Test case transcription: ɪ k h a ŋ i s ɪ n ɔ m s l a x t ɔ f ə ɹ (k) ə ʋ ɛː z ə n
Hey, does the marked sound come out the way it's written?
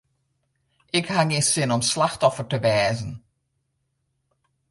no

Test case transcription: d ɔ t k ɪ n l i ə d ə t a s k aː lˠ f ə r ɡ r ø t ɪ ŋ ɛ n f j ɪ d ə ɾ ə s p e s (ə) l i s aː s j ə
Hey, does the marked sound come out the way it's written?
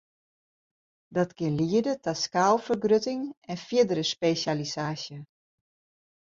no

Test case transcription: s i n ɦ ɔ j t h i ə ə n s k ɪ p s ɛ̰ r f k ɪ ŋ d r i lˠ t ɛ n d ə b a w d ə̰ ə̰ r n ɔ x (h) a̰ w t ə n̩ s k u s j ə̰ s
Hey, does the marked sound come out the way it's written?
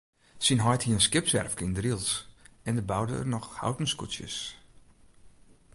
yes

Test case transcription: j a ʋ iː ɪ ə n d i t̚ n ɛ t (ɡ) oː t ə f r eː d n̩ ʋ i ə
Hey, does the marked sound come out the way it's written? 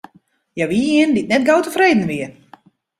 yes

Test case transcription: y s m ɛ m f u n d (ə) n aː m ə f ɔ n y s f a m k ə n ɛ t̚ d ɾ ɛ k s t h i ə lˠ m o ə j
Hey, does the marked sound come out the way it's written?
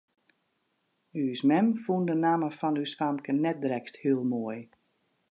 yes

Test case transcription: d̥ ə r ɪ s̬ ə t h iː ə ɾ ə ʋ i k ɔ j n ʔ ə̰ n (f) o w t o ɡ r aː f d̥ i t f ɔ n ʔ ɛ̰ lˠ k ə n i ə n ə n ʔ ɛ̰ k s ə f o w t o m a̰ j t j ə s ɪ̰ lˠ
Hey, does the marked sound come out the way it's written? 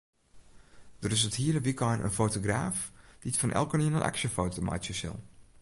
yes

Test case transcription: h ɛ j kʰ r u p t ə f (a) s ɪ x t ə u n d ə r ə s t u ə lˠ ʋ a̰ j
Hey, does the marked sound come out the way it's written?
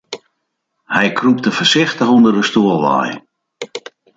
no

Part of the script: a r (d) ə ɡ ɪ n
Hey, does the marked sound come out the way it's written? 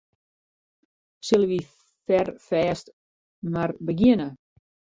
no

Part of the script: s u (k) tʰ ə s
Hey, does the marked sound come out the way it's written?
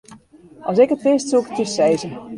yes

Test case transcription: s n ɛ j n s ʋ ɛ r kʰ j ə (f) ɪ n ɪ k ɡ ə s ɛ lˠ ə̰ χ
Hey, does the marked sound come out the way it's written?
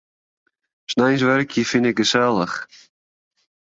yes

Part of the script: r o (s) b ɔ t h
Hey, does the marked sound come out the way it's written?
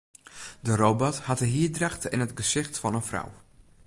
no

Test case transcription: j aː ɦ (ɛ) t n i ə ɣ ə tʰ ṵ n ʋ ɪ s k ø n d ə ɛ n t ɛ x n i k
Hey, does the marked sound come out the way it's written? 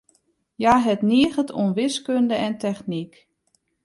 yes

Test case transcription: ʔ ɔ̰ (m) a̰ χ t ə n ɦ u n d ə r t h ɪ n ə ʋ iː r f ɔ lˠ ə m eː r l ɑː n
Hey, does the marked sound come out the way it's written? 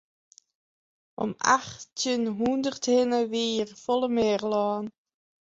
yes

